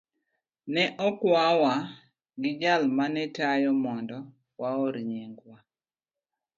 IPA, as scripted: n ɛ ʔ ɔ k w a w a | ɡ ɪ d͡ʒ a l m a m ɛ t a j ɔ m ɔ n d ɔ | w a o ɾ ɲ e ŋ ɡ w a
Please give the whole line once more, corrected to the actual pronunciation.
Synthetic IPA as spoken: n ɛ ʔ ɔ k w a w a | ɡ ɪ d͡ʒ a l m a n ɛ t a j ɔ m ɔ n d ɔ | w a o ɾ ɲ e ŋ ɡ w a